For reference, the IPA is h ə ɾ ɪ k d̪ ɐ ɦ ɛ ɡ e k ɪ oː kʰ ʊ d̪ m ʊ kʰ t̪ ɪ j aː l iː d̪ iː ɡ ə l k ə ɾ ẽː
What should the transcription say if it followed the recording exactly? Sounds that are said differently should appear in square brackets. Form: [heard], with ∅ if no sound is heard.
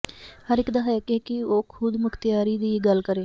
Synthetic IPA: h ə ɾ ɪ k d̪ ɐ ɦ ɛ [k] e k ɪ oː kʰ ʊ d̪ m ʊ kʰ t̪ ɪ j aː [ɾ] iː d̪ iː ɡ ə l k ə ɾ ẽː